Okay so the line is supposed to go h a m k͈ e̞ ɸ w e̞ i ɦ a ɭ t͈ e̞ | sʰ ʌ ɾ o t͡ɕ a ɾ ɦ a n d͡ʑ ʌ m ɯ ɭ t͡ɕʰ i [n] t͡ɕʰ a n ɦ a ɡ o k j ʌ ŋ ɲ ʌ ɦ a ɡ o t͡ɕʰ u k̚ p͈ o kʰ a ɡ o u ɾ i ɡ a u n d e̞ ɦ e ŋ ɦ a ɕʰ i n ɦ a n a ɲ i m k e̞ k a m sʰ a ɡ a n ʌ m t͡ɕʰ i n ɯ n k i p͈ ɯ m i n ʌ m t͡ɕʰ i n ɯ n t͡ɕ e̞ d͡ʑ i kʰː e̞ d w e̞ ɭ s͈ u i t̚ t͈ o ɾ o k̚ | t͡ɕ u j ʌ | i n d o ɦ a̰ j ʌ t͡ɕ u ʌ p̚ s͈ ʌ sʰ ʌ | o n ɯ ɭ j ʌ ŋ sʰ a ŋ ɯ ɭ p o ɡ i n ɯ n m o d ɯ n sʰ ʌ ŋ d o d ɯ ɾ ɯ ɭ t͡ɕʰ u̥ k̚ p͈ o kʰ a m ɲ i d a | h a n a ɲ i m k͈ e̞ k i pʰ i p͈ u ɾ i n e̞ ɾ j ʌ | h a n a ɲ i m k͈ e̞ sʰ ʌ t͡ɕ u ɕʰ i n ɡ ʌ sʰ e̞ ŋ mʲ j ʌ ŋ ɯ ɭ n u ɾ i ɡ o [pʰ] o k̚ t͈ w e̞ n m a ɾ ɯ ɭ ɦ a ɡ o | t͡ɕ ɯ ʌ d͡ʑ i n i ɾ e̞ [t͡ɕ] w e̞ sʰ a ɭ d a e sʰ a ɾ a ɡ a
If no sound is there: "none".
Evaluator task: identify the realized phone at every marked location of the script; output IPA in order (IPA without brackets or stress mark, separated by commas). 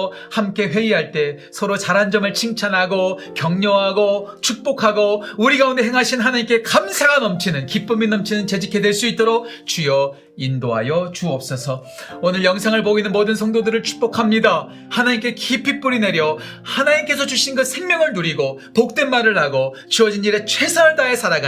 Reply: ŋ, p, t͡ɕʰ